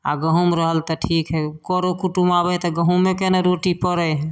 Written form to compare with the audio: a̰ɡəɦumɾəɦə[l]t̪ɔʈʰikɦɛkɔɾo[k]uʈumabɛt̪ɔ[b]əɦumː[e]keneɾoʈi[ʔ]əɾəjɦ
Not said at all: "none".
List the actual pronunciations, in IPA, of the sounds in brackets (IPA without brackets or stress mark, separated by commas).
l, k, ɡ, e, p